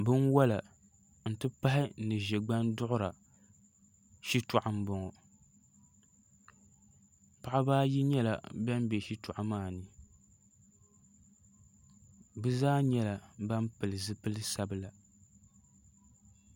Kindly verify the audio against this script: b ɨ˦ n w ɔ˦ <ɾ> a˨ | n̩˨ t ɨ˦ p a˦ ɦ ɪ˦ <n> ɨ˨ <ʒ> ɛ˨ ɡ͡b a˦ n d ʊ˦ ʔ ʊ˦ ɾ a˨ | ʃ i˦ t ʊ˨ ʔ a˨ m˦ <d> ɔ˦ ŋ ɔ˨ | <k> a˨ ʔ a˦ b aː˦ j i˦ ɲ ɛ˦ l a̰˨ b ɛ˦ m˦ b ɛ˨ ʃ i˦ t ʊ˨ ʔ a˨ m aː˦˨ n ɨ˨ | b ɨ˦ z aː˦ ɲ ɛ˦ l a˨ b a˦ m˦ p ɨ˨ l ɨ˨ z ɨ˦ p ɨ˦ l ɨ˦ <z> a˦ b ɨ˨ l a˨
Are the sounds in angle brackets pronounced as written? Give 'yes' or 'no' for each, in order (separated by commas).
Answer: no, yes, yes, no, no, no